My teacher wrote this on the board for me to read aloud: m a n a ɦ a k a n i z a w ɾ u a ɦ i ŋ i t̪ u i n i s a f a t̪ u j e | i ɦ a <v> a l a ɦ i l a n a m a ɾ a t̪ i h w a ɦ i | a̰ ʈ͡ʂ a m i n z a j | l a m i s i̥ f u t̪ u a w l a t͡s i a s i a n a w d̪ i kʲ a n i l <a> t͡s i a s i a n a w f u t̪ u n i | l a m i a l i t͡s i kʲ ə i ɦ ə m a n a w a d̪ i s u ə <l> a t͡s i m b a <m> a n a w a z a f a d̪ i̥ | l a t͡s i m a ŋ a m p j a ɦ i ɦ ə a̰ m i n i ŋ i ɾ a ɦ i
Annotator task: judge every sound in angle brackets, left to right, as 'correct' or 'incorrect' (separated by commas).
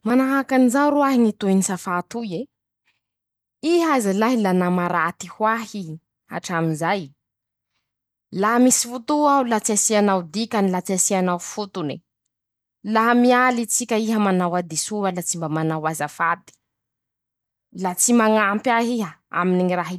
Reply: incorrect, correct, correct, correct